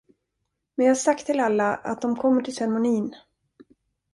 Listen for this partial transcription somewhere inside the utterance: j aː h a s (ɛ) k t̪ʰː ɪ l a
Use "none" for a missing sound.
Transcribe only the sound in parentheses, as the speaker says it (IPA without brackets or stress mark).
a